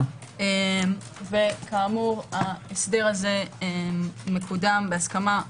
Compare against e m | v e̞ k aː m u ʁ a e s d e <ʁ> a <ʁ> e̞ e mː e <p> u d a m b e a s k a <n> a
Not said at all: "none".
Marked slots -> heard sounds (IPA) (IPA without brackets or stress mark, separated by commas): ʁ, z, k, m